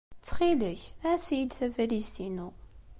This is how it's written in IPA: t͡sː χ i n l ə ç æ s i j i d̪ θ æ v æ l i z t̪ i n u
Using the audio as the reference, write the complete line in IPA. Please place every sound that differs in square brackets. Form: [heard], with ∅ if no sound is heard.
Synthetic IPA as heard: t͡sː χ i [∅] l ə ç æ s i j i d̪ θ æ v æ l i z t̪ i n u

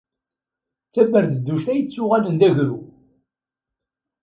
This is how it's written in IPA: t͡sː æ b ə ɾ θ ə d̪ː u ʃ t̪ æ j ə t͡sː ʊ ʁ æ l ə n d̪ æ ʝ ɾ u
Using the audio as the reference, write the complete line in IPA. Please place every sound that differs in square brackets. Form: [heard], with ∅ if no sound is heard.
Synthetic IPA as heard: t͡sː æ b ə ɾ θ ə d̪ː u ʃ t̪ æ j ə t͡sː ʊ ʁ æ l ə n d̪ æ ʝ ɾ u

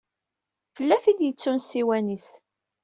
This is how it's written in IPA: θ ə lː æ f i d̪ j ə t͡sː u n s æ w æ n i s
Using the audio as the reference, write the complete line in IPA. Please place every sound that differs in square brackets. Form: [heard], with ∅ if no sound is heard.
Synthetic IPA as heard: [f] ə lː æ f i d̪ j ə t͡sː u n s [i] w æ n i s

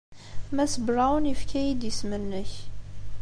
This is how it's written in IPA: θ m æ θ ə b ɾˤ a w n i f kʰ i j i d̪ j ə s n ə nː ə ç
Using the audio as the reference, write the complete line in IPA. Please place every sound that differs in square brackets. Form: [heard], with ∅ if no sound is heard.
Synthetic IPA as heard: θ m æ [s] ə b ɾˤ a w n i f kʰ [æ] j i d̪ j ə s [m] ə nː ə ç

